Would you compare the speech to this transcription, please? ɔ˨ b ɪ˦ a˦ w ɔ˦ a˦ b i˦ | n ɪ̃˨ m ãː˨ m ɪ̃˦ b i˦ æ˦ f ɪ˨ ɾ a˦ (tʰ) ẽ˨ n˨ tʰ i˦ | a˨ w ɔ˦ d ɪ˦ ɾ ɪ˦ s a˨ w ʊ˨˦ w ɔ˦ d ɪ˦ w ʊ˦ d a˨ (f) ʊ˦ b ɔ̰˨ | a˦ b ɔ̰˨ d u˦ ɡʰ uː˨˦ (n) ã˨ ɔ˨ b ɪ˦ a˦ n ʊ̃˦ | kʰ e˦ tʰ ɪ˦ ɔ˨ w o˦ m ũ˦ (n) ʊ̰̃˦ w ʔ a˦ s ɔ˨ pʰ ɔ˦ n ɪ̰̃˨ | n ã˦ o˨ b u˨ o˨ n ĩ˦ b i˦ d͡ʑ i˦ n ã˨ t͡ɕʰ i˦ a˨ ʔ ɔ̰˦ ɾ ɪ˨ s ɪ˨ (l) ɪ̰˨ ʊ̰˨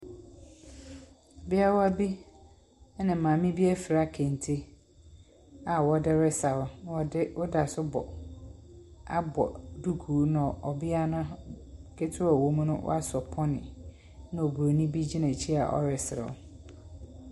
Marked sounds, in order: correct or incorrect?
incorrect, incorrect, correct, correct, incorrect

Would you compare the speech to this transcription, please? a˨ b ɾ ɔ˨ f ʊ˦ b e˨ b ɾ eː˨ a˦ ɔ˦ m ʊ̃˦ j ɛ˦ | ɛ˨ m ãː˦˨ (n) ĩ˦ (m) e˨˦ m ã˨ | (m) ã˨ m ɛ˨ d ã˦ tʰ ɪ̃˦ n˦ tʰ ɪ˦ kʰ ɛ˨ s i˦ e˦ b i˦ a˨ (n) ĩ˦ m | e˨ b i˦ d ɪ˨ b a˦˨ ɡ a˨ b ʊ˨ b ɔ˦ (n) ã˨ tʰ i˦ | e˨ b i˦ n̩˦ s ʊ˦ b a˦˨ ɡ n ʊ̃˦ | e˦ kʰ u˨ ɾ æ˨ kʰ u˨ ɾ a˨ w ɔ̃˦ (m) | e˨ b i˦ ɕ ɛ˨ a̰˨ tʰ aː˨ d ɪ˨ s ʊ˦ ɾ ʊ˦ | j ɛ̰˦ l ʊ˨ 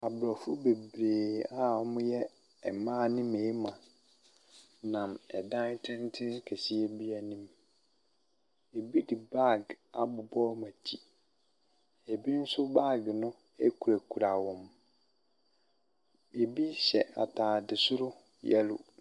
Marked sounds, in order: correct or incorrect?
correct, correct, incorrect, correct, incorrect, correct

